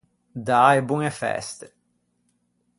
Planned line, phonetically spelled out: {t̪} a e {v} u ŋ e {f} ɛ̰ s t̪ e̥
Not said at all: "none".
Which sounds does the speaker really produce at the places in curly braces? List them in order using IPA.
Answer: d̪, b, f

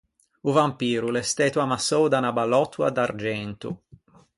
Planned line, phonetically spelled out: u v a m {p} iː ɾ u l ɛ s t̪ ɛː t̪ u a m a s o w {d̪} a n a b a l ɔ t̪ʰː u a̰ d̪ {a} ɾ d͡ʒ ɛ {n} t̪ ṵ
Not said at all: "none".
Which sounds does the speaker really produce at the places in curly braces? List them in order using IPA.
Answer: p, d̪, a, n

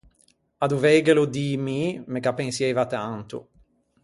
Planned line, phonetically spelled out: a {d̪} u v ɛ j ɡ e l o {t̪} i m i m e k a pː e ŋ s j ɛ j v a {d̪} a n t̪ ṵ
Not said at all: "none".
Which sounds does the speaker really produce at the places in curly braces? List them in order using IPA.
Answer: d̪, d̪, t̪

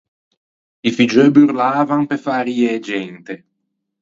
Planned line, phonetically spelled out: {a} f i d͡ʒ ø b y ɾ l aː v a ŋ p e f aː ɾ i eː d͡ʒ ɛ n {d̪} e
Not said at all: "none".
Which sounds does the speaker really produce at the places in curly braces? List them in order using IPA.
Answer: i, t̪

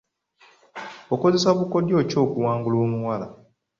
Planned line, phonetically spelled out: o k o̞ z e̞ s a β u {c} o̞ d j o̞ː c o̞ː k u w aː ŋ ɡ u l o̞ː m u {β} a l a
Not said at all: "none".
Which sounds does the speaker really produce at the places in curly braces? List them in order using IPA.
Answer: k, w

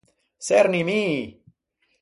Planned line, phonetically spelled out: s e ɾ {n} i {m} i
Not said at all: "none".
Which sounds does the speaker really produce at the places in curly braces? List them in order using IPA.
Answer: n, m

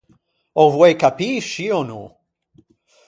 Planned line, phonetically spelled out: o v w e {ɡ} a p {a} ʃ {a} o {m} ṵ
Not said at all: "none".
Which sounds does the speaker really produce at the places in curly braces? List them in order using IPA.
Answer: k, i, i, n

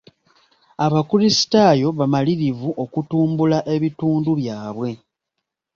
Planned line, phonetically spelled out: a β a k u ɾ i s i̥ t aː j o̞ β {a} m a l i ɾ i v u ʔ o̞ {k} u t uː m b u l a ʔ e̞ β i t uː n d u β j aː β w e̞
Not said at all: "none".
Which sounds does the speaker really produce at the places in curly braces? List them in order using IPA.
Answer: a, k

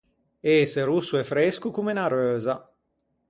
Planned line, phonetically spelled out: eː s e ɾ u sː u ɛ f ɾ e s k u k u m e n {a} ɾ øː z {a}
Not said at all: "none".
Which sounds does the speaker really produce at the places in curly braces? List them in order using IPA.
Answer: a, a

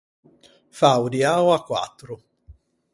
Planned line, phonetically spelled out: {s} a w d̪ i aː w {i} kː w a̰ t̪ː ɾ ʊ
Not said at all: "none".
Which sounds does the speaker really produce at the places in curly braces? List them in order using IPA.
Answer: f, a

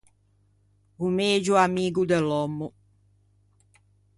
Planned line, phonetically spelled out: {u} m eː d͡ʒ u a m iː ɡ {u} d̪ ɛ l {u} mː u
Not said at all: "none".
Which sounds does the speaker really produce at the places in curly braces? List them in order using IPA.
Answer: u, u, ɔ

